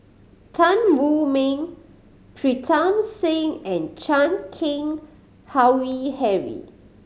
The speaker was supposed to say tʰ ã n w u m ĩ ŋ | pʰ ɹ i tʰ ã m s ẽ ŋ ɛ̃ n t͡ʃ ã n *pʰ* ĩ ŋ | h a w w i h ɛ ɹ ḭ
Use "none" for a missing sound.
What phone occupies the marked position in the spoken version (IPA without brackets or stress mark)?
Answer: kʰ